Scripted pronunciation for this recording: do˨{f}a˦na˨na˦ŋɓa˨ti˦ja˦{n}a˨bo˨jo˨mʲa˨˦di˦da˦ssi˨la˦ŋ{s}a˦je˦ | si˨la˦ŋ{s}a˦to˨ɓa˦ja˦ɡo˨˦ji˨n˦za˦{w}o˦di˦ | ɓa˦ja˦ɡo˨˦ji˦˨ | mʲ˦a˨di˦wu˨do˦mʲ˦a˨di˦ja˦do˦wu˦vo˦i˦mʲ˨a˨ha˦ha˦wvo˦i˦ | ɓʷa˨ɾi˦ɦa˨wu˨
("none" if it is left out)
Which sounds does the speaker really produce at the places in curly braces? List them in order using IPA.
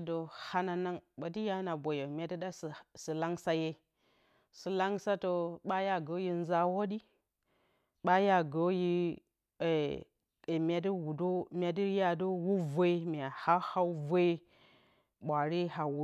h, n, s, s, w

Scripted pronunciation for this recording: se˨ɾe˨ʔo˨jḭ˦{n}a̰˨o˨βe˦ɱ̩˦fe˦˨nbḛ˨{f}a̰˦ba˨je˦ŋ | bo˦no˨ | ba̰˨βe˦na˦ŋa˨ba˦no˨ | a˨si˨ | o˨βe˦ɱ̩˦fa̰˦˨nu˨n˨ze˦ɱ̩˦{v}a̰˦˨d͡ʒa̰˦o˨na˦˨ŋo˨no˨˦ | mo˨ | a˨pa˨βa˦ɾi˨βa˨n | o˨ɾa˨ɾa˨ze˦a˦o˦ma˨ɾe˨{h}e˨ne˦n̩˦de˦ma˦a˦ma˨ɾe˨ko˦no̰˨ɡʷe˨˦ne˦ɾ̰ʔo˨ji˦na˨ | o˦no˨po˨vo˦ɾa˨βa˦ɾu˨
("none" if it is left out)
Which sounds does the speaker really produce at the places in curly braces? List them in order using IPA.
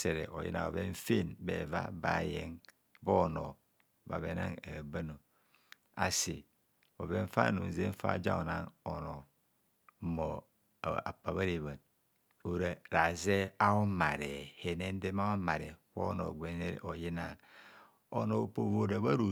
n, v, f, h

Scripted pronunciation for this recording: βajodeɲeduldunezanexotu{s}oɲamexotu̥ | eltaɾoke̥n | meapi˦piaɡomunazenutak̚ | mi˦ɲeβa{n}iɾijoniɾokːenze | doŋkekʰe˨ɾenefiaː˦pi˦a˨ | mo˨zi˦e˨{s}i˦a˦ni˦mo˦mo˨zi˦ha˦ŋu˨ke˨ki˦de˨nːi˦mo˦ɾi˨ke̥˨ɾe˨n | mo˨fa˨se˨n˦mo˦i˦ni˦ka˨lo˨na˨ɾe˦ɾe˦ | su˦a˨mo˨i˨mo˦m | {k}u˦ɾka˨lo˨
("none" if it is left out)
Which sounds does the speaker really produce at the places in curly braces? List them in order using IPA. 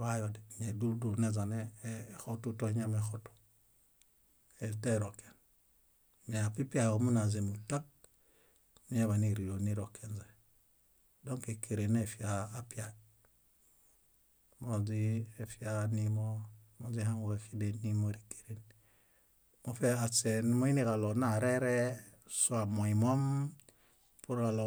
t, n, f, p

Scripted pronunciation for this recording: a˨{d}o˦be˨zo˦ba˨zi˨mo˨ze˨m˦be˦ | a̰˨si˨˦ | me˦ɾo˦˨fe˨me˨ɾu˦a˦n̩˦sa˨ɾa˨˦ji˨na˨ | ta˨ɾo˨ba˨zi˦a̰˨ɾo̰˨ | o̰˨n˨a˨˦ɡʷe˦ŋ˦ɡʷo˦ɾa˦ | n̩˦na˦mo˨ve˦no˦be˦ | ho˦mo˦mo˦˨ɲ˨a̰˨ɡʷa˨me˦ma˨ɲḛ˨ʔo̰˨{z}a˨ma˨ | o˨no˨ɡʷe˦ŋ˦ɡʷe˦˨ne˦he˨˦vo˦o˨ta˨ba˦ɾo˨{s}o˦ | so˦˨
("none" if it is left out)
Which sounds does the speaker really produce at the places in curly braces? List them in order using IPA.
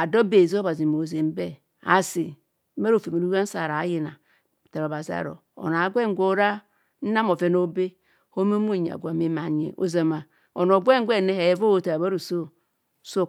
d, z, s

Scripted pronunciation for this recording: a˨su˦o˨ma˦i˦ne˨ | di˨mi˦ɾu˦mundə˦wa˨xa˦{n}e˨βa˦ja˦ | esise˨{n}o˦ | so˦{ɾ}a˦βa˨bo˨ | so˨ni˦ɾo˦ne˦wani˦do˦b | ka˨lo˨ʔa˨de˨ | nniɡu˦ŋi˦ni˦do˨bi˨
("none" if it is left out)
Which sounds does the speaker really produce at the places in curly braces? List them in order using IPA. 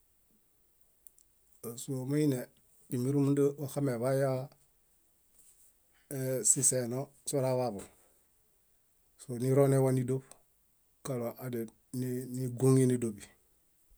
m, n, ɾ

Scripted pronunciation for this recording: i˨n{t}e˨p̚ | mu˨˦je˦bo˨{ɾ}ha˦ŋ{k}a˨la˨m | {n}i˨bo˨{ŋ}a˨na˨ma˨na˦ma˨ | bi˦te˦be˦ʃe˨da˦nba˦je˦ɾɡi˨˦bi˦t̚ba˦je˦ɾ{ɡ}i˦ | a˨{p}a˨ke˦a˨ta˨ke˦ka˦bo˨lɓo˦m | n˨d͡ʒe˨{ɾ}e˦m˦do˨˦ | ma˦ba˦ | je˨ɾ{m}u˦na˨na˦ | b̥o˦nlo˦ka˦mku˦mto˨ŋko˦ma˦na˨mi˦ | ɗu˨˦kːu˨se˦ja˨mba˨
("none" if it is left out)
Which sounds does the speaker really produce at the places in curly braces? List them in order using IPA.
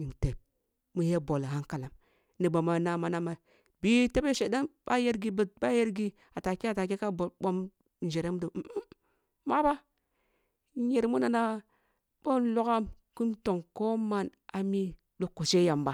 t, l, k, n, m, ɡ, t, ɾ, m

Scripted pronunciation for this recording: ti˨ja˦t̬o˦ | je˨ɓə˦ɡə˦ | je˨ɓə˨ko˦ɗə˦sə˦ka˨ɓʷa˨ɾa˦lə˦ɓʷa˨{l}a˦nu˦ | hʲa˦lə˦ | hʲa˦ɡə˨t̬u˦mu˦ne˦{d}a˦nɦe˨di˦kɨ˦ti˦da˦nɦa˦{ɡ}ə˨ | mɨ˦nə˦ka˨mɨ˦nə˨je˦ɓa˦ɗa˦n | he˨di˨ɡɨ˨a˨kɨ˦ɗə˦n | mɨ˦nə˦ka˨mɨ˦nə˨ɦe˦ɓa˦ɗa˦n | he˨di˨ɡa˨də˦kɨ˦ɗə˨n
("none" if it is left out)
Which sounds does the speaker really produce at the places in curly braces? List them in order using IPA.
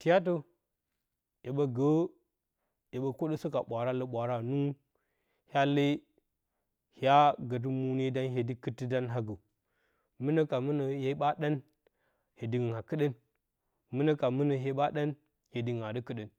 ɾ, d, ɡ

